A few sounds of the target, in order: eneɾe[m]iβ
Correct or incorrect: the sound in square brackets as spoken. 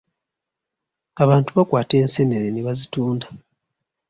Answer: incorrect: n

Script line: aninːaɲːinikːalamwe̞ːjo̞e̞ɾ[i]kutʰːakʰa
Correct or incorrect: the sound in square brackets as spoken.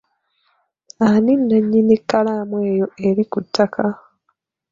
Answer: correct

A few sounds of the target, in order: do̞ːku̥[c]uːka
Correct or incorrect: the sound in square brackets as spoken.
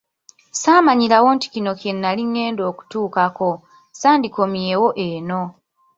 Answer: incorrect: t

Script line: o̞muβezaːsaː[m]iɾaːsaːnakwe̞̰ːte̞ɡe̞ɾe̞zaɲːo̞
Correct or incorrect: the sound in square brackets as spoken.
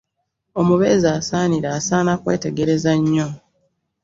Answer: incorrect: n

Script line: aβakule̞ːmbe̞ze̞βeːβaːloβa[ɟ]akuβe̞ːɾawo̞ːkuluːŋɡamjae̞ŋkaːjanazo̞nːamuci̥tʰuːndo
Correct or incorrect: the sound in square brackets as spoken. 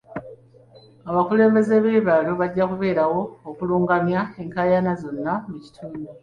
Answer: incorrect: ɟː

